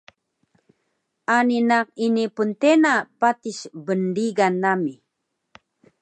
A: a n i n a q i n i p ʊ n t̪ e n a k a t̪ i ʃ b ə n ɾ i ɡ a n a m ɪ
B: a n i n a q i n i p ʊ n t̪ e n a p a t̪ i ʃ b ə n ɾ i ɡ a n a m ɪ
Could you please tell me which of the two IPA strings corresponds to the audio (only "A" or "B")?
B